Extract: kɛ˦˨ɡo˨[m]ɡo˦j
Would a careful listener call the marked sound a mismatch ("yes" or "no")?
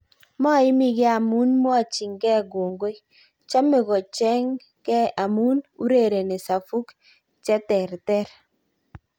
yes